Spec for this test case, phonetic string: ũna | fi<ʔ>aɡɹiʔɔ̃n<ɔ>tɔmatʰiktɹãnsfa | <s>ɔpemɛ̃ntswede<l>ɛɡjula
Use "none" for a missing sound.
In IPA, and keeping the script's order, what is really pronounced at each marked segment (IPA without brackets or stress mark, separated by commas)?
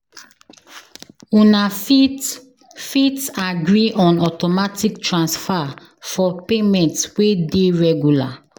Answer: t, ɔ, f, ɹ